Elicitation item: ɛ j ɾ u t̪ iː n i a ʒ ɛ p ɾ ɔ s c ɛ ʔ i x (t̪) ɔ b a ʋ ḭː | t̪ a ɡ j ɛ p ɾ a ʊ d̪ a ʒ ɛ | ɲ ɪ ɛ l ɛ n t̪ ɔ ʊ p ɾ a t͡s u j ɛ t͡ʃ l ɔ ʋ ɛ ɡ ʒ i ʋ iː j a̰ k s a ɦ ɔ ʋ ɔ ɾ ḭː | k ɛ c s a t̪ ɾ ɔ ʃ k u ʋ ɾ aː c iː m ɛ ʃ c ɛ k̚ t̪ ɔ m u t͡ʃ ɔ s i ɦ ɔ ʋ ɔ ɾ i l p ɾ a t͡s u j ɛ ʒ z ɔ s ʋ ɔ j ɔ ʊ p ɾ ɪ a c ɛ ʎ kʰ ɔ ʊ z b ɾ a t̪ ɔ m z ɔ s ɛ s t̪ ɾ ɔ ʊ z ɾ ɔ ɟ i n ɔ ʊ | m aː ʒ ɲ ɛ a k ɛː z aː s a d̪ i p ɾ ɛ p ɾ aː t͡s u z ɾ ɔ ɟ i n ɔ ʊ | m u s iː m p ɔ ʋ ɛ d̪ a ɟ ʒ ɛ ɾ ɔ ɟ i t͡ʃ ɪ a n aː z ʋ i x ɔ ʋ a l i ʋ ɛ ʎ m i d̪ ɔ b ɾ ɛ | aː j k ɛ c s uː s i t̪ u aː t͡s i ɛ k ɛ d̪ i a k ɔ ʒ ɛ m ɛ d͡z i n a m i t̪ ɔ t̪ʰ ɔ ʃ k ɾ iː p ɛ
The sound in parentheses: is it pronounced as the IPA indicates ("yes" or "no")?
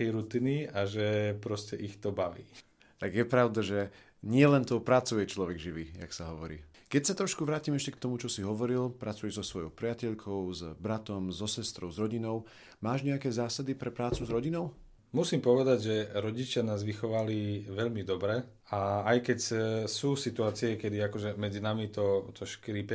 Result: yes